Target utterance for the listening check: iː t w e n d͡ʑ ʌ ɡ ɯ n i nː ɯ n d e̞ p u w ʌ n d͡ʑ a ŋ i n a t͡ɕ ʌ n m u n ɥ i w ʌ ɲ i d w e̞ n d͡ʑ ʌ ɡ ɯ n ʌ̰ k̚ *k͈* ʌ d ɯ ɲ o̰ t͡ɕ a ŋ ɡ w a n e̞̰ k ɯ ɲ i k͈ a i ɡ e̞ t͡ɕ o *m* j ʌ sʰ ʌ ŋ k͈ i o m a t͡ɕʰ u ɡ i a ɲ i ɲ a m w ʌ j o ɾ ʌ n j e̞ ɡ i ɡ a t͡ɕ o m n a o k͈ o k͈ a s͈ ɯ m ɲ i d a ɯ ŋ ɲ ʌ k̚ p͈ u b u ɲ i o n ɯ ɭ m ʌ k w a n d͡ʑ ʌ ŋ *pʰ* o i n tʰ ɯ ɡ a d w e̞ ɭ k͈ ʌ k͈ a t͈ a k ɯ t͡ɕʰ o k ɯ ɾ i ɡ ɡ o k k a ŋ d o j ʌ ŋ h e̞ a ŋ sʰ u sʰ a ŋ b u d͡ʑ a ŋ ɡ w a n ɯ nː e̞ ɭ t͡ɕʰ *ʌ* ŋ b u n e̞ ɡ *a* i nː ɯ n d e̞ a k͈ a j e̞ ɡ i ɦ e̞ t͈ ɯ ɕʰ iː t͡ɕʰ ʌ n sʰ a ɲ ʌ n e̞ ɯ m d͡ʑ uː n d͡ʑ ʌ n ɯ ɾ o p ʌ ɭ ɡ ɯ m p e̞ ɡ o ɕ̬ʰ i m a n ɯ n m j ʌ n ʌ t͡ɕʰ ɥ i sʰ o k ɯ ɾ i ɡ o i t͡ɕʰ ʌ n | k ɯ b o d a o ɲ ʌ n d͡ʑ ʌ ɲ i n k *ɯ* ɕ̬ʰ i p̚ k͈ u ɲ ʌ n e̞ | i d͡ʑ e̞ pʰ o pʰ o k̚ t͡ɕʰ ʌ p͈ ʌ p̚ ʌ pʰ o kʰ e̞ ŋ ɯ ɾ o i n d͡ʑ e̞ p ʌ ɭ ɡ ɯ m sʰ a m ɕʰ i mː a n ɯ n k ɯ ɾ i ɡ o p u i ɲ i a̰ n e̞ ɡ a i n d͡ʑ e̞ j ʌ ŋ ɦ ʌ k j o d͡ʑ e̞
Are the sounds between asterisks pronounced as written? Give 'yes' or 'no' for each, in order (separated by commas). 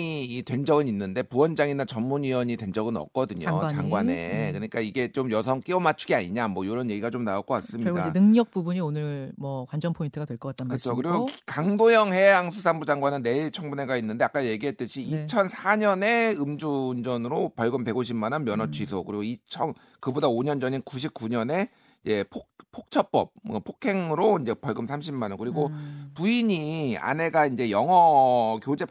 yes, yes, yes, yes, yes, no